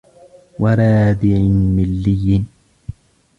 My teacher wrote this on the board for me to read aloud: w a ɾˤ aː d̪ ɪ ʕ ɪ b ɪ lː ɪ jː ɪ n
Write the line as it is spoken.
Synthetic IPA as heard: w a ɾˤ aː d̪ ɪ ʕ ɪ m ɪ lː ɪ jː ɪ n

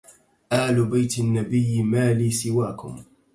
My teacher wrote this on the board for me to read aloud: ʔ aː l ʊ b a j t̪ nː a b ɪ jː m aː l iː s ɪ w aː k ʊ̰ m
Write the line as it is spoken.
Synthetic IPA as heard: ʔ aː l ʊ b a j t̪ nː a b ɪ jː m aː l iː s ɪ w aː k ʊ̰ m

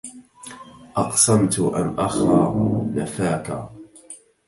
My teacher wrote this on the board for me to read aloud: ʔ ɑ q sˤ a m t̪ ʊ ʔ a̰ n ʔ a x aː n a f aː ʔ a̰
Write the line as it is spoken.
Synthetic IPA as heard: ʔ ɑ q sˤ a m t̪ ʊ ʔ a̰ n ʔ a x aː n a f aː k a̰

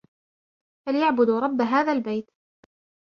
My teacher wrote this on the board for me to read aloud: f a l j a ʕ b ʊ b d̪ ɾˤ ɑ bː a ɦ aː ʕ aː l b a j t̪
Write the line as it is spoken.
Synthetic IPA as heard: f a l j a ʕ b ʊ d̪ ɾˤ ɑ bː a ɦ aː ð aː l b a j t̪

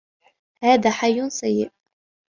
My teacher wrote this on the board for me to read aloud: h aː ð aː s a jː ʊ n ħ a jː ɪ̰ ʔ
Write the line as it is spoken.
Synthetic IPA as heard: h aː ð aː ħ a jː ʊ n s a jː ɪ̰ ʔ

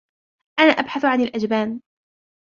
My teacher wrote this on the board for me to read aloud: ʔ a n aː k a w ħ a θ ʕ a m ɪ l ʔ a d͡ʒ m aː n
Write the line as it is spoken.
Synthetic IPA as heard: ʔ a n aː ʔ a b ħ a θ ʕ a n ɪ l ʔ a d͡ʒ b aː n

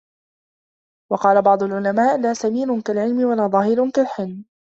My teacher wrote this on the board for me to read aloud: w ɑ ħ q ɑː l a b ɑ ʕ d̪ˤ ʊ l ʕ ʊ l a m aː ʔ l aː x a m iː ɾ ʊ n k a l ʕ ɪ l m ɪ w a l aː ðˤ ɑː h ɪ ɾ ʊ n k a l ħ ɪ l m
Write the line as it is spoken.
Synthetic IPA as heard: w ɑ q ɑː l a b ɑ ʕ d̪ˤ ʊ l ʕ ʊ l a m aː ʔ l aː s a m iː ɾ ʊ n k a l ʕ ɪ l m ɪ w a l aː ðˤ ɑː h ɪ ɾ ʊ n k a l ħ ɪ l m

